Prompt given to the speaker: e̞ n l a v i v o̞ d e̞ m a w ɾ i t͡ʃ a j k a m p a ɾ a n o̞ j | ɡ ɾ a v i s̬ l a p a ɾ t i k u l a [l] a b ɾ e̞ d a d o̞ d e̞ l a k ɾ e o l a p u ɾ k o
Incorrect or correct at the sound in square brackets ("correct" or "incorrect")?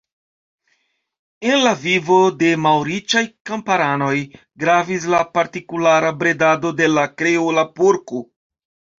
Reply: incorrect